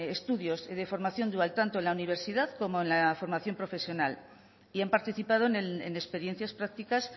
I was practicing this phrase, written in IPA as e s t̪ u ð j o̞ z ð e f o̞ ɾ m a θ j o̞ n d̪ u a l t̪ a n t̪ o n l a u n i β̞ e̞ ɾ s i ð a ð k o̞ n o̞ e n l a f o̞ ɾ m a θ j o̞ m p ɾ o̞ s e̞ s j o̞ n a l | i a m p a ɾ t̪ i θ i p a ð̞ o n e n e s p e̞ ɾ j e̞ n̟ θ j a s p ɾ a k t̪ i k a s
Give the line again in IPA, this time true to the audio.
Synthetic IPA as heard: e s t̪ u ð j o̞ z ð e f o̞ ɾ m a θ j o̞ n d̪ u a l t̪ a n t̪ o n l a u n i β̞ e̞ ɾ s i ð a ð k o̞ m o̞ e n l a f o̞ ɾ m a θ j o̞ m p ɾ o̞ f e̞ s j o̞ n a l | i a m p a ɾ t̪ i θ i p a ð̞ o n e n e s p e̞ ɾ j e̞ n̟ θ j a s p ɾ a k t̪ i k a s

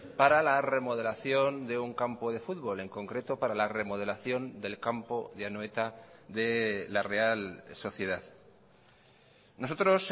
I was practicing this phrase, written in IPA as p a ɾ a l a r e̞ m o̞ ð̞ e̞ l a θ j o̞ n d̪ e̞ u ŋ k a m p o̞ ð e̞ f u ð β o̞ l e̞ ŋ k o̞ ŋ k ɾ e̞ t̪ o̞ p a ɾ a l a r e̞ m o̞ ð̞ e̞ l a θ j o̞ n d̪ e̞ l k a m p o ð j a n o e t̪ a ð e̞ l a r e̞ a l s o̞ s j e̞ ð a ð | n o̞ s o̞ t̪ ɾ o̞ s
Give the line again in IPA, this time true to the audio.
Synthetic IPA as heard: p a ɾ a l a r e̞ m o̞ ð̞ e̞ l a θ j o̞ n d̪ e̞ u ŋ k a m p o̞ ð e̞ f u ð β o̞ l e̞ ŋ k o̞ ŋ k ɾ e̞ t̪ o̞ p a ɾ a l a r e̞ m o̞ ð̞ e̞ l a θ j o̞ n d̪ e̞ l k a m p o ð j a n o e t̪ a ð e̞ l a r e̞ a l s o̞ θ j e̞ ð a ð | n o̞ s o̞ t̪ ɾ o̞ s

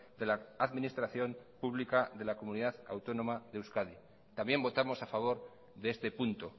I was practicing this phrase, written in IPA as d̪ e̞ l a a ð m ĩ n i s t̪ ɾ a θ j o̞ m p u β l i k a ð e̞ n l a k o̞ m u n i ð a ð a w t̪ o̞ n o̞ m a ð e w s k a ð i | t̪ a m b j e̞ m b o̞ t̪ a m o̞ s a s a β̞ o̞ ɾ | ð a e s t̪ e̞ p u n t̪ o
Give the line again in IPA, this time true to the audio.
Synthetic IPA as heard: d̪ e̞ l a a ð m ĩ n i s t̪ ɾ a θ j o̞ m p u β l i k a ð e̞ l a k o̞ m u n i ð a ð a w t̪ o̞ n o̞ m a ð e w s k a ð i | t̪ a m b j e̞ m b o̞ t̪ a m o̞ s a f a β̞ o̞ ɾ | ð e e s t̪ e̞ p u n t̪ o

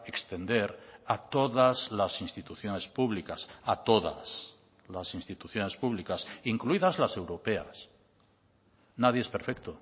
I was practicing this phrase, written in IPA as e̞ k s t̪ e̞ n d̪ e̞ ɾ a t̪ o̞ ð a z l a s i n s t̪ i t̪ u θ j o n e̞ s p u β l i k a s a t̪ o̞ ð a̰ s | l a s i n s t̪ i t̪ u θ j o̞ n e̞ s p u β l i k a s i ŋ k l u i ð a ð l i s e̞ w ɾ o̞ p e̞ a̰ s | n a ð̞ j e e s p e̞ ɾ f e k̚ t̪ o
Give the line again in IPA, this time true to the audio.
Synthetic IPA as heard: e̞ k s t̪ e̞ n d̪ e̞ ɾ a t̪ o̞ ð a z l a s i n s t̪ i t̪ u θ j o n e̞ s p u β l i k a s a t̪ o̞ ð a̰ s | l a s i n s t̪ i t̪ u θ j o̞ n e̞ s p u β l i k a s i ŋ k l u i ð a z l a s e̞ w ɾ o̞ p e̞ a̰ s | n a ð̞ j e e s p e̞ ɾ f e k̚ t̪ o

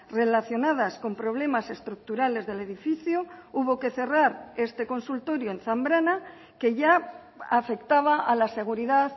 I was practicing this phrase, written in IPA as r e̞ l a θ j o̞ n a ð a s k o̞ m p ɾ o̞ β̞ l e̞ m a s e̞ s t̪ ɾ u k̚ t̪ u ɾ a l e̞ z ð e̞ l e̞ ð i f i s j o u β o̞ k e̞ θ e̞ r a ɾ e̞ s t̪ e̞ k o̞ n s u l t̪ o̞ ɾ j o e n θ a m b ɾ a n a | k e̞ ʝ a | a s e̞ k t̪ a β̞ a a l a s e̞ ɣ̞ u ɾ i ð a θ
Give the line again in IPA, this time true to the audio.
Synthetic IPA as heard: r e̞ l a θ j o̞ n a ð a s k o̞ m p ɾ o̞ β̞ l e̞ m a s e̞ s t̪ ɾ u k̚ t̪ u ɾ a l e̞ z ð e̞ l e̞ ð i f i θ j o u β o̞ k e̞ θ e̞ r a ɾ e̞ s t̪ e̞ k o̞ n s u l t̪ o̞ ɾ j o e n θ a m b ɾ a n a | k e̞ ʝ a | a f e̞ k t̪ a β̞ a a l a s e̞ ɣ̞ u ɾ i ð a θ

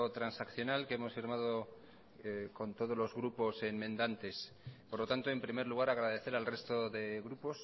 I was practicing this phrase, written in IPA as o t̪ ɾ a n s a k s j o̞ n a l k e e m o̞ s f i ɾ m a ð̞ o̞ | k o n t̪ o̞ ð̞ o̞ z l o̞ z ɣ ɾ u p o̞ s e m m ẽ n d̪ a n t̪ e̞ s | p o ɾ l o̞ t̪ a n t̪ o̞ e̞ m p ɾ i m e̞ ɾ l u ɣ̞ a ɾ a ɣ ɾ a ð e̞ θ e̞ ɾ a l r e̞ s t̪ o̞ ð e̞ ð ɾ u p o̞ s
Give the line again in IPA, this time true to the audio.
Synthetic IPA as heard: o t̪ ɾ a n s a k θ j o̞ n a l k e e m o̞ s f i ɾ m a ð̞ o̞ | k o n t̪ o̞ ð̞ o̞ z l o̞ z ɣ ɾ u p o̞ s e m m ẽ n d̪ a n t̪ e̞ s | p o ɾ l o̞ t̪ a n t̪ o̞ e̞ m p ɾ i m e̞ ɾ l u ɣ̞ a ɾ a ɣ ɾ a ð e̞ θ e̞ ɾ a l r e̞ s t̪ o̞ ð e̞ ɣ ɾ u p o̞ s

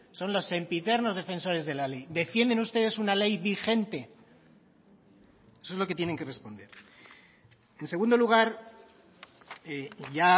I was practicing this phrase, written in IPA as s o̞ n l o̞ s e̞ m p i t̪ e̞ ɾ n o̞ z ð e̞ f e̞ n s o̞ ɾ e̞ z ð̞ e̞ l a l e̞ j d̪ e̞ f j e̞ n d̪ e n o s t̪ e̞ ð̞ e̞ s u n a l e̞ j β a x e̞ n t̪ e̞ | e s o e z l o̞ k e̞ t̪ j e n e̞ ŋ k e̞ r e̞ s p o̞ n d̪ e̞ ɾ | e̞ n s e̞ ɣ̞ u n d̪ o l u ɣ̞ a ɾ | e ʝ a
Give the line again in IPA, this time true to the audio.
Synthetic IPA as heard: s o̞ n l o̞ s e̞ m p i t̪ e̞ ɾ n o̞ z ð e̞ f e̞ n s o̞ ɾ e̞ z ð̞ e̞ l a l e̞ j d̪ e̞ f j e̞ n d̪ e n u s t̪ e̞ ð̞ e̞ s u n a l e̞ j β i x e̞ n t̪ e̞ | e s o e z l o̞ k e̞ t̪ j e n e̞ ŋ k e̞ r e̞ s p o̞ n d̪ e̞ ɾ | e̞ n s e̞ ɣ̞ u n d̪ o l u ɣ̞ a ɾ | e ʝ a

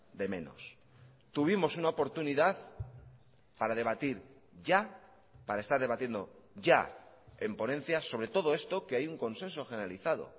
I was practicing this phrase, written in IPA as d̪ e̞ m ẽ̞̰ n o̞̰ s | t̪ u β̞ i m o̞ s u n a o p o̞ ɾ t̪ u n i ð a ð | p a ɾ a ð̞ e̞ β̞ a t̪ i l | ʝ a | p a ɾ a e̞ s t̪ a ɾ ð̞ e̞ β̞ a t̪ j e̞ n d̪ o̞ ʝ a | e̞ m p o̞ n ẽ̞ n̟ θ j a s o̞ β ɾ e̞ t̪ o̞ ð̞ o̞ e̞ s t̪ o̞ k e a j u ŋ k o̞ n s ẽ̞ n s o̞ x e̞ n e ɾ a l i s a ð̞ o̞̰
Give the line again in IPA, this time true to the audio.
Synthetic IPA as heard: d̪ e̞ m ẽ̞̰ n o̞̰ s | t̪ u β̞ i m o̞ s u n a o p o̞ ɾ t̪ u n i ð a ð | p a ɾ a ð̞ e̞ β̞ a t̪ i ɾ | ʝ a | p a ɾ a e̞ s t̪ a ɾ ð̞ e̞ β̞ a t̪ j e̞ n d̪ o̞ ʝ a | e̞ m p o̞ n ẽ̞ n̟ θ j a s o̞ β ɾ e̞ t̪ o̞ ð̞ o̞ e̞ s t̪ o̞ k e a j u ŋ k o̞ n s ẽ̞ n s o̞ x e̞ n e ɾ a l i θ a ð̞ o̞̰

